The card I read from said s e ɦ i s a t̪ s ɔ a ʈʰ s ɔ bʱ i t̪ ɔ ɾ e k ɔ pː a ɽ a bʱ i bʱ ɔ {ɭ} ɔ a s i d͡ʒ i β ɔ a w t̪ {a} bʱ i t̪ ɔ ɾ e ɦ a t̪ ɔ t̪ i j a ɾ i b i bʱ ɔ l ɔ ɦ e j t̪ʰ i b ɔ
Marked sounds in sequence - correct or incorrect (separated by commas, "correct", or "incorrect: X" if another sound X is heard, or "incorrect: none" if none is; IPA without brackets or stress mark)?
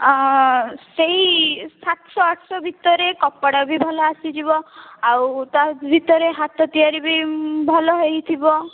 incorrect: l, correct